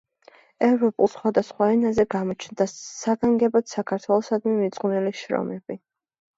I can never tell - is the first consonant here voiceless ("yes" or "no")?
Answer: no